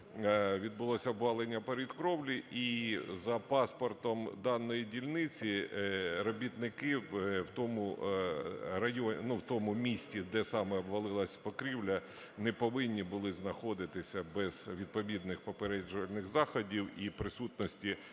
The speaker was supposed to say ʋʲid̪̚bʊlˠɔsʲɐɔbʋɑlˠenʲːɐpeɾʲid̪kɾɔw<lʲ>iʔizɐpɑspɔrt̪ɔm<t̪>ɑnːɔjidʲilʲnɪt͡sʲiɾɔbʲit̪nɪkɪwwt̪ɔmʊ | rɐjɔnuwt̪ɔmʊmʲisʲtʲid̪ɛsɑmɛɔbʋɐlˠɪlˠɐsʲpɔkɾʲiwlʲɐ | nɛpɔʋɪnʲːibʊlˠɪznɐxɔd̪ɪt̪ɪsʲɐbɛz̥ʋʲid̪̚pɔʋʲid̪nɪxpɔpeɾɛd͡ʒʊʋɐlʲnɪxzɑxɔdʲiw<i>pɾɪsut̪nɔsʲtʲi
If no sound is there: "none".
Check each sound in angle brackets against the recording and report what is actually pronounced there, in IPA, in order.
lʲ, d̪, i

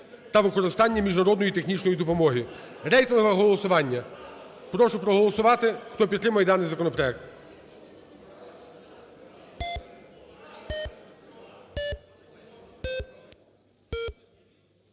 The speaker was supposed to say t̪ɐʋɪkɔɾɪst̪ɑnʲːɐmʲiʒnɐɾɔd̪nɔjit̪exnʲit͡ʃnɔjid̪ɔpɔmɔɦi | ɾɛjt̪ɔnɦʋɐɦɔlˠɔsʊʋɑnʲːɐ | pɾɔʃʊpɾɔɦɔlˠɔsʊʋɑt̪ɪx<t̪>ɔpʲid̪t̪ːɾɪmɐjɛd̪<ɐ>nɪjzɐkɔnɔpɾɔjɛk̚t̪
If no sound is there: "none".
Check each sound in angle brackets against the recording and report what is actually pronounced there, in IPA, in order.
t̪, ɑ

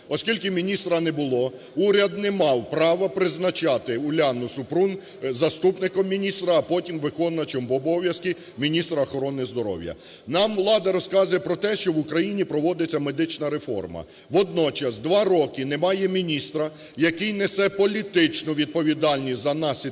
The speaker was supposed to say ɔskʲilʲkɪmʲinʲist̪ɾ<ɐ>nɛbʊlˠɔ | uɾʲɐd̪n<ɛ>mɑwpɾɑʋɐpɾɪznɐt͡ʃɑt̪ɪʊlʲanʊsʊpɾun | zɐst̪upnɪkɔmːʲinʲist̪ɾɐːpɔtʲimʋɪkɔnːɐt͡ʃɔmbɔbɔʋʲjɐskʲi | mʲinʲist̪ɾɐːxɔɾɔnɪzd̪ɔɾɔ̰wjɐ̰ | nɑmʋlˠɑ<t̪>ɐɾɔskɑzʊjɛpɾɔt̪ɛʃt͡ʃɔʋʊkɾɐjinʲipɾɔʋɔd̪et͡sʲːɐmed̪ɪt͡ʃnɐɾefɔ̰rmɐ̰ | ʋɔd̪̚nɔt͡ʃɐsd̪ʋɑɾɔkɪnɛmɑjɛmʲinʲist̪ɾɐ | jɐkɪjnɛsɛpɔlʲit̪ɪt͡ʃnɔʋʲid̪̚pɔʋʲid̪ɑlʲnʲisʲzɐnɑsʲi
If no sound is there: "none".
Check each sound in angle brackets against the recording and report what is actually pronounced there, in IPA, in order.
ɐ, ɛ, d̪

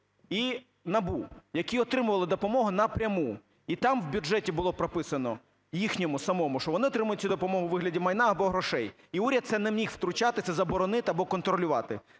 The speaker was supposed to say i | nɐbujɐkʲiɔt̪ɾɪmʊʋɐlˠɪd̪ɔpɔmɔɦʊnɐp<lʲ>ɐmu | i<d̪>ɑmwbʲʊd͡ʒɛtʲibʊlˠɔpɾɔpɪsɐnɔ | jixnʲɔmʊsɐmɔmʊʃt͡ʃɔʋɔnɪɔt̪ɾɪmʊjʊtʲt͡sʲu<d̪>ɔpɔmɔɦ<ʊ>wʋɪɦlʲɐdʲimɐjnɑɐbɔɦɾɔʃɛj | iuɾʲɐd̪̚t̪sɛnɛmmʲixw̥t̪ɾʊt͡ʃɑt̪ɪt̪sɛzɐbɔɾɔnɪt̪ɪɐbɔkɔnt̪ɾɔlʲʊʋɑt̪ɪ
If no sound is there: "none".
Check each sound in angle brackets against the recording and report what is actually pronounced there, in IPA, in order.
ɾʲ, t̪, d̪, ʊ

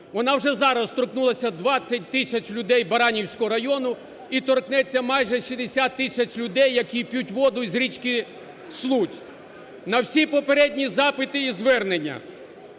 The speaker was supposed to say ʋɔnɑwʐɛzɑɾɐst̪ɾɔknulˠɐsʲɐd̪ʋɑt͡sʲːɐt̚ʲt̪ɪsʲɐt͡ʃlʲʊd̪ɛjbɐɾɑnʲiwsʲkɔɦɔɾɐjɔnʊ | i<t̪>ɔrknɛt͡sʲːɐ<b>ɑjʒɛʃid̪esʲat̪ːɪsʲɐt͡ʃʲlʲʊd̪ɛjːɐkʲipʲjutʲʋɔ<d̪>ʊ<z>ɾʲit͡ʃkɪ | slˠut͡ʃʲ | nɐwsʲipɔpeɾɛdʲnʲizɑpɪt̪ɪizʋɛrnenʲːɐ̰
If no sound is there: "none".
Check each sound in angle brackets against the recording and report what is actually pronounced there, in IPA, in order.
t̪, m, d̪, z

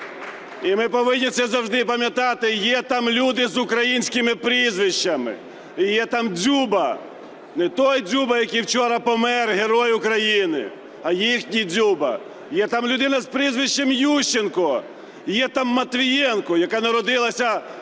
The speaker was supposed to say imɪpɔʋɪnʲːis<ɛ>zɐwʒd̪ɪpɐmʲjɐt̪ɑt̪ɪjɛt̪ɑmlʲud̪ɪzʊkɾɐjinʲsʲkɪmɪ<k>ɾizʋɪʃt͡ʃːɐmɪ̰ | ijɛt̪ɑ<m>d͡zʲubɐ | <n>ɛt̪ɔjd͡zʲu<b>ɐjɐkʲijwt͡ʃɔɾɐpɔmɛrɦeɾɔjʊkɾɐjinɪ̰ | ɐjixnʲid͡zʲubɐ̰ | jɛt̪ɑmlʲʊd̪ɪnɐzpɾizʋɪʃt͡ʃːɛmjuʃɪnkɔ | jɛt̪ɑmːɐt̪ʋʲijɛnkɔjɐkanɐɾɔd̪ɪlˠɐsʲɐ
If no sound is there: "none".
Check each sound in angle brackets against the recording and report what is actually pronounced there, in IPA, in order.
ɛ, p, m, n, b

